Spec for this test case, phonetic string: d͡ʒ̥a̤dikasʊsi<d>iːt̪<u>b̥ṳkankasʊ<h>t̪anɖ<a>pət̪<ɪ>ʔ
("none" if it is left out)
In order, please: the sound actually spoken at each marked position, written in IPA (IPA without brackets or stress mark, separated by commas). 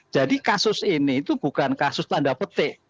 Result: n, u, s, a, ɪ